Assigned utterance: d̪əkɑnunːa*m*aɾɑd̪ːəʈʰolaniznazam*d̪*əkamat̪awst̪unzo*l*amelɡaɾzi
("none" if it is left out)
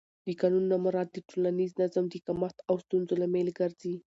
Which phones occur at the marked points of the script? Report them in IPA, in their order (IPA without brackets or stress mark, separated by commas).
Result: m, d̪, l